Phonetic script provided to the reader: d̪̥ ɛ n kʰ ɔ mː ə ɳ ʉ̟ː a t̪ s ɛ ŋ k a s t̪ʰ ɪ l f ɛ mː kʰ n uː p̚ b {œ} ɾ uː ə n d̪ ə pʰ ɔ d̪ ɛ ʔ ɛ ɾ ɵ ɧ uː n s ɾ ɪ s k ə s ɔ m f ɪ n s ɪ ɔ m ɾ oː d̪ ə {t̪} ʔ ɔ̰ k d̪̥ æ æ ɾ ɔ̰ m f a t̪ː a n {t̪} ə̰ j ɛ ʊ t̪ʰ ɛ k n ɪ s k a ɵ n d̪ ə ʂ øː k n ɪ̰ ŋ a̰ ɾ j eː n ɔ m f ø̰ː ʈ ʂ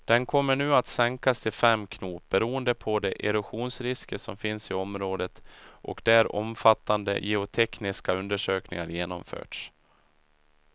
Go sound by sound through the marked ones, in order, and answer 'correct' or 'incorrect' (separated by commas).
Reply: incorrect, correct, incorrect